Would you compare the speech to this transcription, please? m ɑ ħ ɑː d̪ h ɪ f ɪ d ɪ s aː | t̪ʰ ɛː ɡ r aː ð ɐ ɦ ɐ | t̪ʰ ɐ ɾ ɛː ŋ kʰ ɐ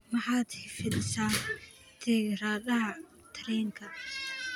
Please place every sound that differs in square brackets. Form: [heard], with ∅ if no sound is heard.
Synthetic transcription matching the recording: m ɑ ħ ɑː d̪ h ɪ f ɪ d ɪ s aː | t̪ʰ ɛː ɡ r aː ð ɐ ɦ ɐ | t̪ʰ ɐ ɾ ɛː ŋ kʰ ɐ